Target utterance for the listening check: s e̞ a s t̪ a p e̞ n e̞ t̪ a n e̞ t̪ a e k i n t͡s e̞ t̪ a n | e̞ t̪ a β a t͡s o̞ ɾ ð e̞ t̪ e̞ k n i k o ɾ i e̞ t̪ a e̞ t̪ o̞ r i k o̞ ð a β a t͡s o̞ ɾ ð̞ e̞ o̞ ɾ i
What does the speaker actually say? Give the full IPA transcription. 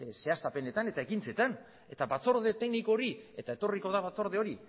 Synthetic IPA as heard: s e̞ a s t̪ a p e̞ n e̞ t̪ a n e̞ t̪ a e k i n t͡s e̞ t̪ a n | e̞ t̪ a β a t͡s o̞ ɾ ð e̞ t̪ e̞ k n i k o ɾ i e̞ t̪ a e̞ t̪ o̞ r i k o̞ ð a β a t͡s o̞ ɾ ð̞ e̞ o̞ ɾ i